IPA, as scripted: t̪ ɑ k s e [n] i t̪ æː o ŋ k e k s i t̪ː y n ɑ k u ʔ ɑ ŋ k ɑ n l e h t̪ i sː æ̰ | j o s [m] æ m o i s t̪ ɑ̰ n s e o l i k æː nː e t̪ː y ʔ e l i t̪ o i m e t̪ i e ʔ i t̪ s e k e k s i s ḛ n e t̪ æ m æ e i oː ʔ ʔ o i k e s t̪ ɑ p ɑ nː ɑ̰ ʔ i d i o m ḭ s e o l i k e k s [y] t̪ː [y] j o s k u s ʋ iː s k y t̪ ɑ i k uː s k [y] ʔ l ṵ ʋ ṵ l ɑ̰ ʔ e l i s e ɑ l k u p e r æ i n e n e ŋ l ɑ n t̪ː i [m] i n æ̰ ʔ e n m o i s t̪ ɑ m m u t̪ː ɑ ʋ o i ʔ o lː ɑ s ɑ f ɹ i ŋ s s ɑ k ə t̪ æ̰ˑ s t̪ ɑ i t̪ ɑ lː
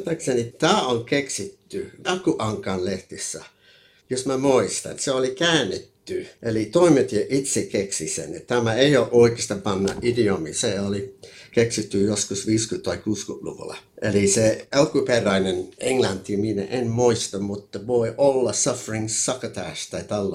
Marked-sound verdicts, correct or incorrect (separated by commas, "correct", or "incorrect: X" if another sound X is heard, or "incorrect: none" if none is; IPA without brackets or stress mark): correct, correct, incorrect: i, correct, correct, correct